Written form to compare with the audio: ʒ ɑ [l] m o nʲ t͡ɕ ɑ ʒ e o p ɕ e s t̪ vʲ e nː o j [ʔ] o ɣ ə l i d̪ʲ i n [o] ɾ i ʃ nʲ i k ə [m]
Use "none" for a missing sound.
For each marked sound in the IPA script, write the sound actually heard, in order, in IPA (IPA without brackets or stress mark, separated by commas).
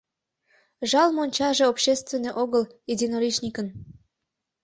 l, ʔ, o, n